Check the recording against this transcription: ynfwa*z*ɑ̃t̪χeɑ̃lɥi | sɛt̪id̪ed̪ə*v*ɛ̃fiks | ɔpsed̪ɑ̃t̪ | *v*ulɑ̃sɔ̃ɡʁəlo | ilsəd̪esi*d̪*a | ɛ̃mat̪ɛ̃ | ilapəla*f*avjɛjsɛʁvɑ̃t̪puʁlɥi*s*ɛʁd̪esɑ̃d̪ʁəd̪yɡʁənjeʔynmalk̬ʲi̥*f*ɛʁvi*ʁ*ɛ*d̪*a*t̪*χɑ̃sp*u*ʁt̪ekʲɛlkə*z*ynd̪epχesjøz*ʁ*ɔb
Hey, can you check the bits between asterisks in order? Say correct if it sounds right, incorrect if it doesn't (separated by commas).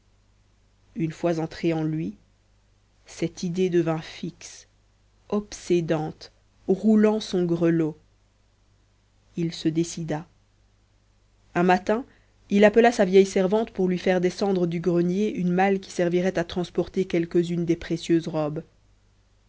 correct, correct, incorrect, correct, incorrect, incorrect, incorrect, correct, incorrect, correct, incorrect, correct, correct